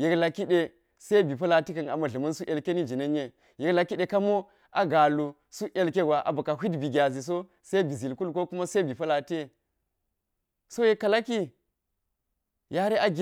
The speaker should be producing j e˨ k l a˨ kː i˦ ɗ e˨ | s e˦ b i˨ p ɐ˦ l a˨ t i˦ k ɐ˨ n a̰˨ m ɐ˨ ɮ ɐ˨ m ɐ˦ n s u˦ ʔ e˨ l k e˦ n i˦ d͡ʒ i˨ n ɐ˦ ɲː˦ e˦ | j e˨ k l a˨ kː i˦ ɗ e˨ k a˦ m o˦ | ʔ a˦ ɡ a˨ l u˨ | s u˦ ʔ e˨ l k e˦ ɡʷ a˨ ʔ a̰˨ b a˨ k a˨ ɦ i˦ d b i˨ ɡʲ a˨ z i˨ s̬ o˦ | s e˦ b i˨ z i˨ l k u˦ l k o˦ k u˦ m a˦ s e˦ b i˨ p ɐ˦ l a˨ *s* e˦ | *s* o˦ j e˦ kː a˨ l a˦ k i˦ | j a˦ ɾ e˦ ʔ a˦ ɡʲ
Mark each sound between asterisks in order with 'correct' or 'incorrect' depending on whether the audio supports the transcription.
incorrect: t, correct

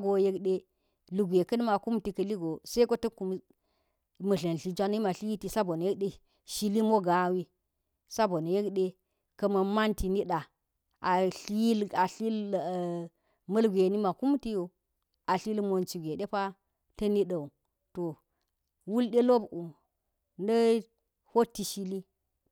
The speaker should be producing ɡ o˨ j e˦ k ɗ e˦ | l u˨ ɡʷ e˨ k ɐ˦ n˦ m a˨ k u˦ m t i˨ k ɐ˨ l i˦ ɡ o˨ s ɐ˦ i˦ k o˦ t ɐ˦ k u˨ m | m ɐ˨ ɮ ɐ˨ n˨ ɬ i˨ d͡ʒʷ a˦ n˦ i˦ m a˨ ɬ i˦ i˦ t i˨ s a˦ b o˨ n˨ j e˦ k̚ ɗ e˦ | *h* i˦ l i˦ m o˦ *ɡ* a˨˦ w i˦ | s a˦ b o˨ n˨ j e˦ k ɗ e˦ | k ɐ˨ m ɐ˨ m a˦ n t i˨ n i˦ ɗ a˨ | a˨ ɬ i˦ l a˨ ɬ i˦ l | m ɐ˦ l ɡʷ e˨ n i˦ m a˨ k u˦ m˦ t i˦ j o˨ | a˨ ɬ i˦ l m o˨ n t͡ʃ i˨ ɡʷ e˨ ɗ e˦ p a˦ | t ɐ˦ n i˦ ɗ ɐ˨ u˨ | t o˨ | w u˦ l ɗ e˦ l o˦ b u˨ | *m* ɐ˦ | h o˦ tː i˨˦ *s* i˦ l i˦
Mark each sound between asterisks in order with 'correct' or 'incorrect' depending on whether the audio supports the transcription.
incorrect: ʃ, correct, incorrect: n, incorrect: ʃ

